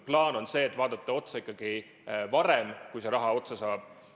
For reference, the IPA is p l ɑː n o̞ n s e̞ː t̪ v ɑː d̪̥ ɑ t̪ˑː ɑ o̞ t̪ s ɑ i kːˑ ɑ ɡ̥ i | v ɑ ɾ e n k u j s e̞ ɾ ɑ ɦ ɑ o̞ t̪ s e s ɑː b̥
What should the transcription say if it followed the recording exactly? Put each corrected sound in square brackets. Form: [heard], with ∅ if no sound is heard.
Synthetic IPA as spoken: p l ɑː n o̞ n s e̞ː t̪ v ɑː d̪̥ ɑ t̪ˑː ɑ o̞ t̪ s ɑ i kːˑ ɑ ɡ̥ i | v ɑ ɾ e [m] k u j s e̞ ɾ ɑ ɦ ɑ o̞ t̪ s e s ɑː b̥